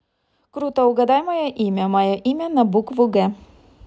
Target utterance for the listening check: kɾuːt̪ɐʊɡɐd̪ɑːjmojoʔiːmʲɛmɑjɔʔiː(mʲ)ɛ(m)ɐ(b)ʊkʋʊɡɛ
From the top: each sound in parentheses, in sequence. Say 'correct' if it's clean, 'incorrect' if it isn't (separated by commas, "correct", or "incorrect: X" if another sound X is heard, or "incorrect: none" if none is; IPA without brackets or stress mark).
correct, incorrect: n, correct